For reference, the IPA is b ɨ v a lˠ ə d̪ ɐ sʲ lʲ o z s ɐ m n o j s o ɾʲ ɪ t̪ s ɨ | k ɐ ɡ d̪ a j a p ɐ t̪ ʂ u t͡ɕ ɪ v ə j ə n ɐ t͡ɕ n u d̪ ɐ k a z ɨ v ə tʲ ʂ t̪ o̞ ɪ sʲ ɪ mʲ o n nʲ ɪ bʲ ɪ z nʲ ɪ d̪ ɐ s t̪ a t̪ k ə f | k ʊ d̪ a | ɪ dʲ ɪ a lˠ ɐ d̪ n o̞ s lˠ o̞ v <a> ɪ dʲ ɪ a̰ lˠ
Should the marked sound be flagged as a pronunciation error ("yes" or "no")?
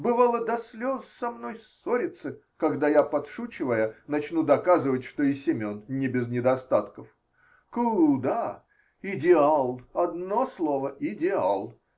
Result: yes